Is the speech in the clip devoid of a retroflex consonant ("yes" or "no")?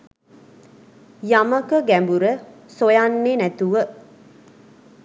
yes